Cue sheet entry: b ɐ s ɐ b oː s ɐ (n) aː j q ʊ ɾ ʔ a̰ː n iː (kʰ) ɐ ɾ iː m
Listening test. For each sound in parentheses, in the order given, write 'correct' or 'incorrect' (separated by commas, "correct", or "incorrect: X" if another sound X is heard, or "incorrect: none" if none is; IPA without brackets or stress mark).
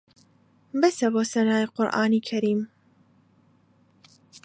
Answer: correct, correct